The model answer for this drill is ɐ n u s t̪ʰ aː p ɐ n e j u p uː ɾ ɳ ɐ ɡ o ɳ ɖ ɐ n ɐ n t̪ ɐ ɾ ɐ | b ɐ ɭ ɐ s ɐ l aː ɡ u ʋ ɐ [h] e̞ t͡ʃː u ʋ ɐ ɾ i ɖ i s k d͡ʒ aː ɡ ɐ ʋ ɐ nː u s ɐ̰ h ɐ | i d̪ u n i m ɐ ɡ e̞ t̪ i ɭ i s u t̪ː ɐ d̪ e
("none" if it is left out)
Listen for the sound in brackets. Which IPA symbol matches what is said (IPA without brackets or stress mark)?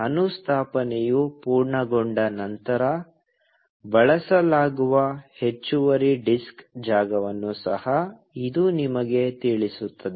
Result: h